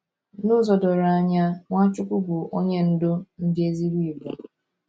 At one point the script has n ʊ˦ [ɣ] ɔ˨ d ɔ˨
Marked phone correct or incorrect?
incorrect